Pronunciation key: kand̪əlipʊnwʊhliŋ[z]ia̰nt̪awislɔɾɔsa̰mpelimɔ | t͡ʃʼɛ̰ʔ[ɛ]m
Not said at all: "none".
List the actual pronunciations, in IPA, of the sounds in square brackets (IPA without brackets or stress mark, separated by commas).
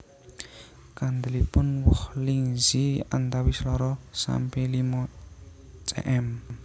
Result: z, ɛ